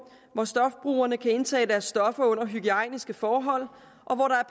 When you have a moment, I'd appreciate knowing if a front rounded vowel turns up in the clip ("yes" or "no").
yes